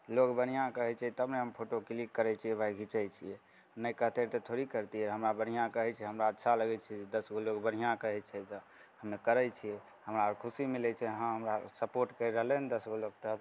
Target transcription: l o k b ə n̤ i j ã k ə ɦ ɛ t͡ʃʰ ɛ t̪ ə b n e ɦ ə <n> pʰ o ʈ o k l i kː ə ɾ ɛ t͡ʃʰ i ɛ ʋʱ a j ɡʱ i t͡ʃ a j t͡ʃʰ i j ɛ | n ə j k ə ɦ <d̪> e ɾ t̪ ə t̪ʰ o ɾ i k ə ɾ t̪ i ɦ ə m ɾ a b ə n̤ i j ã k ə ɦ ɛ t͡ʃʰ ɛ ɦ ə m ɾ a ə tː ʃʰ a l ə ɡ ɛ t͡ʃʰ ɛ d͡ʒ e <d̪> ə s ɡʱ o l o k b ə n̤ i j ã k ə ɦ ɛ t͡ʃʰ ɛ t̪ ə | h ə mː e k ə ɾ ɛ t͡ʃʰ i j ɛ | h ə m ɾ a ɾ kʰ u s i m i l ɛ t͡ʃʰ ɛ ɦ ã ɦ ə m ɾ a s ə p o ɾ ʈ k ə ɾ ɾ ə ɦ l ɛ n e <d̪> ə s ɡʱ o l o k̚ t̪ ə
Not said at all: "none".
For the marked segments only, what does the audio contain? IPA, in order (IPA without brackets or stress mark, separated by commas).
m, t̪, d̪, d̪